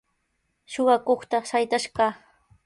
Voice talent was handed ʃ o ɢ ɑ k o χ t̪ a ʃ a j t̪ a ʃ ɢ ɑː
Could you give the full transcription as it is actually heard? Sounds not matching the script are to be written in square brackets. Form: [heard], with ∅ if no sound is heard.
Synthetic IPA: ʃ o ɢ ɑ k o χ t̪ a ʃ a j t̪ a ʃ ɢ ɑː